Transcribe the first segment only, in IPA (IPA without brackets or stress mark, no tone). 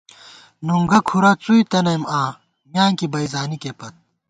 n